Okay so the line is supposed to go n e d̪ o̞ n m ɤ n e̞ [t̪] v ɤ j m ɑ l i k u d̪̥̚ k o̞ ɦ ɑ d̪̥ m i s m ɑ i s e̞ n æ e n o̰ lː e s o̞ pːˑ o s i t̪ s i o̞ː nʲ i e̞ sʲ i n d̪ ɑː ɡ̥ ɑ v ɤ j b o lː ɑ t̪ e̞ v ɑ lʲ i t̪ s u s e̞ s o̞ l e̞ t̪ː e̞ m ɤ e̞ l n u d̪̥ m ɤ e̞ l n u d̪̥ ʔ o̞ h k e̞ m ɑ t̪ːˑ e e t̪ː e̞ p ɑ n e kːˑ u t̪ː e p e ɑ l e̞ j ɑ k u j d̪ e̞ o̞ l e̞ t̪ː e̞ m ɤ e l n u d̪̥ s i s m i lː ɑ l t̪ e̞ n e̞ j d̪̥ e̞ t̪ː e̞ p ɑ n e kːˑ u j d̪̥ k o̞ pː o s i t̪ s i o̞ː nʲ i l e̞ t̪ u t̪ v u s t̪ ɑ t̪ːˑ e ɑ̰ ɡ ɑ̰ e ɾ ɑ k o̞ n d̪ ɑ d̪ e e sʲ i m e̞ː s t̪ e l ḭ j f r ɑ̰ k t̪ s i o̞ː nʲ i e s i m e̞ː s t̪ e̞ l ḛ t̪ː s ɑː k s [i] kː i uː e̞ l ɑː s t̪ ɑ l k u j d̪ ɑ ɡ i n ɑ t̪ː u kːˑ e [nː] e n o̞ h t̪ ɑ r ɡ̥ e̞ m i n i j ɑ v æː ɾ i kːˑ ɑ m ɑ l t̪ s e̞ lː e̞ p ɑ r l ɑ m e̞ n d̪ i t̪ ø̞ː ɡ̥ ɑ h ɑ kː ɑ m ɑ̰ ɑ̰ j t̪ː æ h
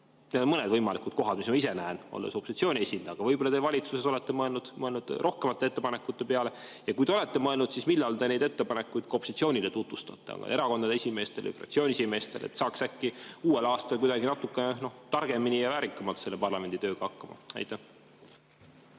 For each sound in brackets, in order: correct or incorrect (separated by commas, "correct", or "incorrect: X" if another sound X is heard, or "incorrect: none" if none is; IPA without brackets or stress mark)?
incorrect: d̪, incorrect: æ, incorrect: n